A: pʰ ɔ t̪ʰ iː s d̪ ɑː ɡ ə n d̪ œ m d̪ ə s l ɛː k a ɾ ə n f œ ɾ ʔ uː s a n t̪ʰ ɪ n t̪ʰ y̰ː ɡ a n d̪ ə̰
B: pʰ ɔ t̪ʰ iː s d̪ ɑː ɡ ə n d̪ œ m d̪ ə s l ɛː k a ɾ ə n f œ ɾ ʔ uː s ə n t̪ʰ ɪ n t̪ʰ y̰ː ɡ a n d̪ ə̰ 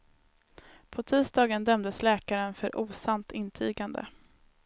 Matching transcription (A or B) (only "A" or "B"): A